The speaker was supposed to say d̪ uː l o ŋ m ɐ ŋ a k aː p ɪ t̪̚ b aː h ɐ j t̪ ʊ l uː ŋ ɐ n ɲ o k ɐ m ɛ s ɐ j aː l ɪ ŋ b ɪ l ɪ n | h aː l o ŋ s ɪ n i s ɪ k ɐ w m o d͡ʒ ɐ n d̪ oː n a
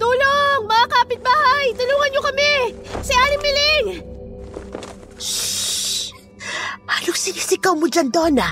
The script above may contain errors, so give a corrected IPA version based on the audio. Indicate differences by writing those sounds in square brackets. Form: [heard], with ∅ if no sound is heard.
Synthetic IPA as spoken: [t̪] uː l o ŋ m ɐ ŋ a k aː p ɪ t̪̚ b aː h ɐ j t̪ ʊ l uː ŋ ɐ n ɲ o k ɐ m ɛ s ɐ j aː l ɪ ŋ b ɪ l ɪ [ŋ] | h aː l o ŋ s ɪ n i s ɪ k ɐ w m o d͡ʒ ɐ n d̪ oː n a